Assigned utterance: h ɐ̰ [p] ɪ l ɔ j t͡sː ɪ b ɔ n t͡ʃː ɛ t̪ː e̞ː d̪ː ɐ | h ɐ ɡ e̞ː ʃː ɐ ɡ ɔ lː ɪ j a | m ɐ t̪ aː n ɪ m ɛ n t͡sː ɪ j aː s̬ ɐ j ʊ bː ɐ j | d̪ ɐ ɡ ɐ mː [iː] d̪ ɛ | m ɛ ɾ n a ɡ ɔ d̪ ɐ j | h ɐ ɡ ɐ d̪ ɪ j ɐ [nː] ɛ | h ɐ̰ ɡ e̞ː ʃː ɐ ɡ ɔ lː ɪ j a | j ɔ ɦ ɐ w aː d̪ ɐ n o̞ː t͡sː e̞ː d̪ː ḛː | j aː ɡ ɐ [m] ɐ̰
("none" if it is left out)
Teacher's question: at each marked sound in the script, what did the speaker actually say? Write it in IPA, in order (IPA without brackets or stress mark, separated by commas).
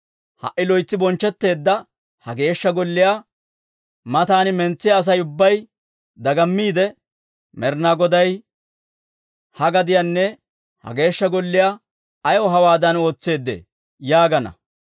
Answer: ʔ, iː, nː, n